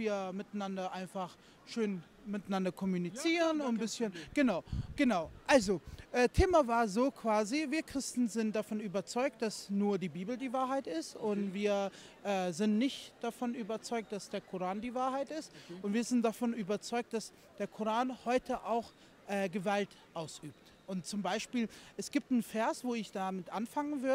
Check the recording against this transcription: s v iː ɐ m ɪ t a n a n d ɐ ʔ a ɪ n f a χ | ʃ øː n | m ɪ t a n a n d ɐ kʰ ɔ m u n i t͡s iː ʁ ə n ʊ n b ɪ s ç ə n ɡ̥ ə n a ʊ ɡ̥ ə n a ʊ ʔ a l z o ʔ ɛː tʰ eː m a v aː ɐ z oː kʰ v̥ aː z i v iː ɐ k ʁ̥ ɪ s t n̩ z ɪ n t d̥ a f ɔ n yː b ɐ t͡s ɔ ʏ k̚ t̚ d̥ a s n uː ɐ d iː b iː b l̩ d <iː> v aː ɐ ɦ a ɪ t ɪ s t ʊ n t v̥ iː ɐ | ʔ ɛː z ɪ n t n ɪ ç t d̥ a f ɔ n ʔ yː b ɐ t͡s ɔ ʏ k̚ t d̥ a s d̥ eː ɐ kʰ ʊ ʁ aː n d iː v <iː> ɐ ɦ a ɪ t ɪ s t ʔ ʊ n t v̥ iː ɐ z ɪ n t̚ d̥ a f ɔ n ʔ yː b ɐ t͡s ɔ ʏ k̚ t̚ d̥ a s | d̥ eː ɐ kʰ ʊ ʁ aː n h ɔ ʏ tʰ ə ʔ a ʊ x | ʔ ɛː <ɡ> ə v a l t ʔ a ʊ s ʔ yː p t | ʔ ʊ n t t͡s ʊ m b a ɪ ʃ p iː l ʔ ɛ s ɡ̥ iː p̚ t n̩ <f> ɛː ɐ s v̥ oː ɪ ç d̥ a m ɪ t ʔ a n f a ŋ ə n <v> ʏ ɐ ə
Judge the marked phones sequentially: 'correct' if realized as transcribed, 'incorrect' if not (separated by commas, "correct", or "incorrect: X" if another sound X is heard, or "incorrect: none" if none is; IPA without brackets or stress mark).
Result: correct, incorrect: aː, correct, correct, correct